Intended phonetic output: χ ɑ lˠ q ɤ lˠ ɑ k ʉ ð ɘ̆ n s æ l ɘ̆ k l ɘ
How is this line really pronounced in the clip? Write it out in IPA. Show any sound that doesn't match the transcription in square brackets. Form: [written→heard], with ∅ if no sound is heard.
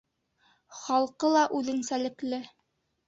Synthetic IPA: χ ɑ lˠ q ɤ lˠ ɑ [k→ʔ] ʉ ð ɘ̆ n s æ l ɘ̆ k l ɘ